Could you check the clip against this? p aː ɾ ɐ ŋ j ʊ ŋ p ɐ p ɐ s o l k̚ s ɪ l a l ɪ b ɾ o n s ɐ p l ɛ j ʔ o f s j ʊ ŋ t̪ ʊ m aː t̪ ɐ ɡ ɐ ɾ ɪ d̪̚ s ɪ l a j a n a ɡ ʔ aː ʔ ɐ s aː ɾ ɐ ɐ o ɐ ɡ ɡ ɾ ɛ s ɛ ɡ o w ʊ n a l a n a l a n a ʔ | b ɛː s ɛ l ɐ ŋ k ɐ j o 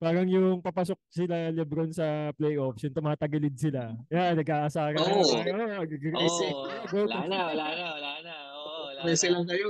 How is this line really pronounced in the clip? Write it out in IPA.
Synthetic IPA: p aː ɾ ɐ ŋ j ʊ ŋ p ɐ p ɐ s o k̚ s ɪ l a l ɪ b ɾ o n s ɐ p l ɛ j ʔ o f s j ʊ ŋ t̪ ʊ m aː t̪ ɐ ɡ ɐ l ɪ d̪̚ s ɪ l a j a n ɐ ɡ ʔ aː ʔ ɐ s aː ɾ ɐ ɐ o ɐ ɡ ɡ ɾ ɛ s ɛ ɡ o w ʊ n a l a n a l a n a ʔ | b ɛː s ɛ l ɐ ŋ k ɐ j o